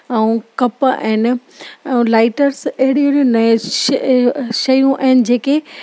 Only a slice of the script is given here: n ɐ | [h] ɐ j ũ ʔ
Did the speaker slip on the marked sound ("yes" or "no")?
yes